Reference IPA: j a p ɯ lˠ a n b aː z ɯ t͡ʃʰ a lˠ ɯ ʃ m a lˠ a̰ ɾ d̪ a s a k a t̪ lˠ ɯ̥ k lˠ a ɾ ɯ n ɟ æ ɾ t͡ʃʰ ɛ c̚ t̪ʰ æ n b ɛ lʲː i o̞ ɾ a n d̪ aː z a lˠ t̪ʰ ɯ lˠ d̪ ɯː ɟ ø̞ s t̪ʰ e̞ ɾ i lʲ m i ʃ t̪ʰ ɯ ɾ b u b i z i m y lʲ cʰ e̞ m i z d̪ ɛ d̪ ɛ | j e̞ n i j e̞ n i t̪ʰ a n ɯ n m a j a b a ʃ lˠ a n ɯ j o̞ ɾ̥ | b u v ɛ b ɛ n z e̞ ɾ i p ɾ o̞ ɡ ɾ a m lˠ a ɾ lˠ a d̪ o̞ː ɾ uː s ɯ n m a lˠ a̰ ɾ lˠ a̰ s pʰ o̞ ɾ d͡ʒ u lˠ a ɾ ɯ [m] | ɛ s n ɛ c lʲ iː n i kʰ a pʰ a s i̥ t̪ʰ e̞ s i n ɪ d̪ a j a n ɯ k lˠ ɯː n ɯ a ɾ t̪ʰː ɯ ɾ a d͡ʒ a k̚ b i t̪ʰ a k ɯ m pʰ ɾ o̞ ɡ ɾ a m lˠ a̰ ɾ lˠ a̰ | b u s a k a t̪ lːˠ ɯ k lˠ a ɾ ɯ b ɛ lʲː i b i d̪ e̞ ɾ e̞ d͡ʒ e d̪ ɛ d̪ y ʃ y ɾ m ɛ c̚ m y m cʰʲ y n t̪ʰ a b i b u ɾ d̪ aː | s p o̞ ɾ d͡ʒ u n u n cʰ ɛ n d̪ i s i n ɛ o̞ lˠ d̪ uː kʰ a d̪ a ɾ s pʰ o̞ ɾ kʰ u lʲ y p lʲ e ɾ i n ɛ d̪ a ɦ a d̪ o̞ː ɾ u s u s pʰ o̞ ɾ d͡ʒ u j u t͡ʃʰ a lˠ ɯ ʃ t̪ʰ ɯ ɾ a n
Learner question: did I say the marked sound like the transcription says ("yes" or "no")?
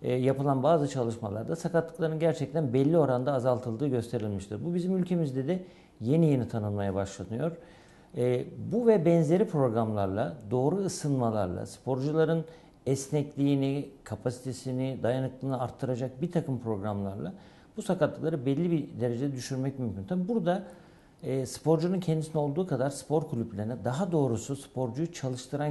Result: no